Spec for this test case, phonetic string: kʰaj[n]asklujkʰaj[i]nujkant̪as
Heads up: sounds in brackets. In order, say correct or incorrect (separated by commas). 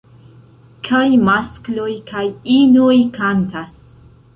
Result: incorrect, correct